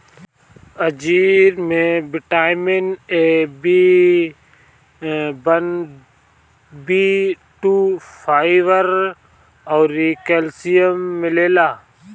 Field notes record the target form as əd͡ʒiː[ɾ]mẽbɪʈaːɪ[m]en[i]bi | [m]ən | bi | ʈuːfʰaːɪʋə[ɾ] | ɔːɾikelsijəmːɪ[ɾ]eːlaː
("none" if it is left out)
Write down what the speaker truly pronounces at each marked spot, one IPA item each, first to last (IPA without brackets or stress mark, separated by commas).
ɾ, m, e, b, ɾ, l